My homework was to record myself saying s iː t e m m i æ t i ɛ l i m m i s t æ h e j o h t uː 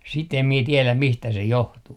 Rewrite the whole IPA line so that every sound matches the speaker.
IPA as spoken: s i t e m m i e t i e l æ m m i s t æ s e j o h t uː